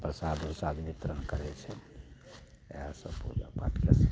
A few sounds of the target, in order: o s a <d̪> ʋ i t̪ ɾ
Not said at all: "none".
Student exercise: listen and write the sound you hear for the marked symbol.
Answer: d̪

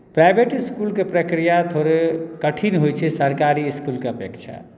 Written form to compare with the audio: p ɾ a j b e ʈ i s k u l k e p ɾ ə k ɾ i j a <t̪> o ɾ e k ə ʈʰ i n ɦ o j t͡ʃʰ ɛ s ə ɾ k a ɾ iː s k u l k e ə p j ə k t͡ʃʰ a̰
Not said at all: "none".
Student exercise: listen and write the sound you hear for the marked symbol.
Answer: t̪ʰ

